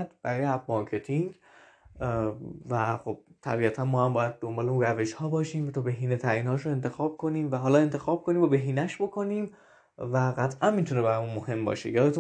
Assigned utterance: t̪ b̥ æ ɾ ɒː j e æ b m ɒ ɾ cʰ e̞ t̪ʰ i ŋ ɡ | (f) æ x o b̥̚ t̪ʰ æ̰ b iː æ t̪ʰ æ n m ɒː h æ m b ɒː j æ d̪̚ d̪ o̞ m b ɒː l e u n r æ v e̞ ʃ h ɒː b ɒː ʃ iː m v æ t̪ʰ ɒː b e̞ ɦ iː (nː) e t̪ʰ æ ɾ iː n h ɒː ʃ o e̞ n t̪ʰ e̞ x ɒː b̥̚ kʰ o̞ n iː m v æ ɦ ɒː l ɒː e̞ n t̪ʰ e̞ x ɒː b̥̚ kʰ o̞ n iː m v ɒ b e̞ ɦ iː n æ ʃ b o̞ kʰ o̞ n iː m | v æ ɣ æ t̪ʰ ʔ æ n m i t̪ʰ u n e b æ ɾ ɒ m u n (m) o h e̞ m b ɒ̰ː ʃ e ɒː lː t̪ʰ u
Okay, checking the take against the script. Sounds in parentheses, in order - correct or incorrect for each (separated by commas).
incorrect, incorrect, correct